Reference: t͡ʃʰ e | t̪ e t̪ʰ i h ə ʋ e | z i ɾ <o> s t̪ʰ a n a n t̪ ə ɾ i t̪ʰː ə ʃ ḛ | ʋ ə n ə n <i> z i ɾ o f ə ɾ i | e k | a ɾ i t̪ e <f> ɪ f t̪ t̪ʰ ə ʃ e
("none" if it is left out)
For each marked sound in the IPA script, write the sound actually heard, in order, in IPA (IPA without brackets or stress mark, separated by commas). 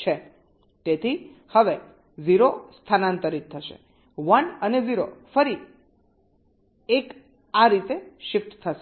o, e, ʃ